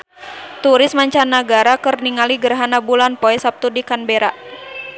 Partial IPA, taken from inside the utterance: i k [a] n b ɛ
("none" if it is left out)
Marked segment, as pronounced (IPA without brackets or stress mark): a